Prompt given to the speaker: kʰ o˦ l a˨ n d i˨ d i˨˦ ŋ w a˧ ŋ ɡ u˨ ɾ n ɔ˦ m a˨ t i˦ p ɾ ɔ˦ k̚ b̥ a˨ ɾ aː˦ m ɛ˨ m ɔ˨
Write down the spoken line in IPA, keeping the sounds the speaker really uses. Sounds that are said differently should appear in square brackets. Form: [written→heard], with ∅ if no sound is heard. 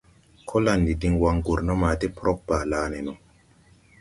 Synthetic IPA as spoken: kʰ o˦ l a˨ n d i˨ d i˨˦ ŋ w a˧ ŋ ɡ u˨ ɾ n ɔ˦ m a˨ t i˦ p ɾ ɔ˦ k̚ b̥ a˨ [ɾ→l] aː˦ [m→n] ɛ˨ [m→n] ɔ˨